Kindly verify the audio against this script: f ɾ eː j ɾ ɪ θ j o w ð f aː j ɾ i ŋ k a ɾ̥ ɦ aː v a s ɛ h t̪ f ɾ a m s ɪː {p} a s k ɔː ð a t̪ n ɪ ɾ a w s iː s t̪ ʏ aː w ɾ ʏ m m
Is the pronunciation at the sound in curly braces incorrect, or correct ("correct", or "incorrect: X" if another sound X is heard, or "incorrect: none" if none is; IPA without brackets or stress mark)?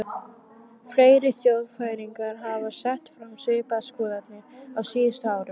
correct